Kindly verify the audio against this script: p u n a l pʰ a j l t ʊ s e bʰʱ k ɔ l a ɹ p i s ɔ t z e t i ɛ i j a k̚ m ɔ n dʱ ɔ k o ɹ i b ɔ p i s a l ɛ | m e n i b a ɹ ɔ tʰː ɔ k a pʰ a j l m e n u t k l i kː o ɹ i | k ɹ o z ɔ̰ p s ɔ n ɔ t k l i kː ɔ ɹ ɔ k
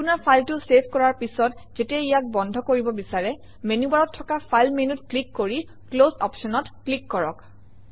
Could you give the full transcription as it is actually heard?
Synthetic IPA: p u n a ɹ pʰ a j l t ʊ s e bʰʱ k ɔ ɹ a ɹ p i s ɔ t z e t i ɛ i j a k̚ b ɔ n dʱ ɔ k o ɹ i b ɔ b i s a ɹ ɛ | m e n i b a ɹ ɔ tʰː ɔ k a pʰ a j l m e n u t k l i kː o ɹ i | k l o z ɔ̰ p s ɔ n ɔ t k l i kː ɔ ɹ ɔ k

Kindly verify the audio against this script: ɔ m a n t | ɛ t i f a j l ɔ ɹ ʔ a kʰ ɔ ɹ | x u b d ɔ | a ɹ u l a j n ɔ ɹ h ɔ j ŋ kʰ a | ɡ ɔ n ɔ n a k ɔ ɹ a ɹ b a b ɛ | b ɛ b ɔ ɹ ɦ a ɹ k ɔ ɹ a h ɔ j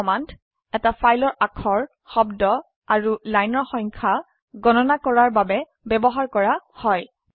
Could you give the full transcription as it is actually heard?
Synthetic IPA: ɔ m a n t | ɛ t a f a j l ɔ ɹ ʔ a kʰ ɔ ɹ | x ɔ b d ɔ | a ɹ u l a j n ɔ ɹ x ɔ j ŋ kʰ a | ɡ ɔ n ɔ n a k ɔ ɹ a ɹ b a b ɛ | b ɛ b ɔ ɦ a ɹ k ɔ ɹ a h ɔ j

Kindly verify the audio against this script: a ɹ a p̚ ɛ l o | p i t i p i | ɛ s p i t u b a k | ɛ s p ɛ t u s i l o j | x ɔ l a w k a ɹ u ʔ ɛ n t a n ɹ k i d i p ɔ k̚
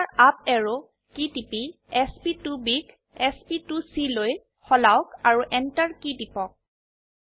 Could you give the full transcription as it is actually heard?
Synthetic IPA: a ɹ a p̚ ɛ ɹ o | k i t i p i | ɛ s p i t u b i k | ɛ s p i t u s i l o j | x ɔ l a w k a ɹ u ʔ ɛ n t a ɹ k i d i p ɔ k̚

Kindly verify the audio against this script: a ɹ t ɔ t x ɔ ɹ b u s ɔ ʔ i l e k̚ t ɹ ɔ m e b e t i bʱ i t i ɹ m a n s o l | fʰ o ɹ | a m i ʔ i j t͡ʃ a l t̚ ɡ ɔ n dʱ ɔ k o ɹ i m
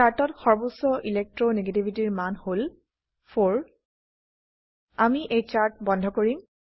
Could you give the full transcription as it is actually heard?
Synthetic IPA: a ɹ t ɔ t x ɔ ɹ b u s ɔ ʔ i l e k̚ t ɹ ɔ n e ɡ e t i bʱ i t i ɹ m a n h o l | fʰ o ɹ | a m i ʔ e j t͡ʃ a ɹ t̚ b ɔ n dʱ ɔ k o ɹ i m

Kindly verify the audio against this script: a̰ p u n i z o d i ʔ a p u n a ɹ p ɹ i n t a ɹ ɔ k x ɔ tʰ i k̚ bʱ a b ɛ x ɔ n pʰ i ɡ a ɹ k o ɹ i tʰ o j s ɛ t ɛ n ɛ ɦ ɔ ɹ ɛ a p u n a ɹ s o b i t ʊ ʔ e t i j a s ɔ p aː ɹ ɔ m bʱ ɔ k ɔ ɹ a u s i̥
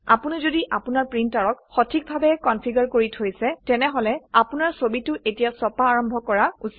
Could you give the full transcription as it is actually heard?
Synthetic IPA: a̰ p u n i z o d i ʔ a p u n a ɹ p ɹ i n t a ɹ ɔ k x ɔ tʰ i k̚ bʱ a b ɛ k ɔ n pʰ i ɡ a ɹ k o ɹ i tʰ o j s ɛ t ɛ n ɛ ɦ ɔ l ɛ a p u n a ɹ s o b i t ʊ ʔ e t i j a s ɔ p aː ɹ ɔ m bʱ ɔ k ɔ ɹ a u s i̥

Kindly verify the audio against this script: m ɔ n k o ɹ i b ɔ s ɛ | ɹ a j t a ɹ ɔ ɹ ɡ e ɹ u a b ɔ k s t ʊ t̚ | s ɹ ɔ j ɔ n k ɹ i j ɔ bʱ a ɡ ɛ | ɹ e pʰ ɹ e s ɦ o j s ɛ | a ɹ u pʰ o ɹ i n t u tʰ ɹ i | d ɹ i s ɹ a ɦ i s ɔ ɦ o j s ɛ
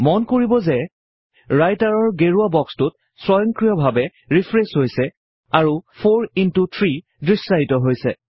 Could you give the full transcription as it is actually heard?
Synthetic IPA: m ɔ n k o ɹ i b ɔ z ɛ | ɹ a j t a ɹ ɔ ɹ ɡ e ɹ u a b ɔ k s t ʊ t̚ | s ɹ ɔ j ɔ ŋ k ɹ i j ɔ bʱ a b ɛ | ɹ i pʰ ɹ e s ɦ o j s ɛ | a ɹ u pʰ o ɹ i n t u tʰ ɹ i | d ɹ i s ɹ a ɦ i t ɔ ɦ o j s ɛ

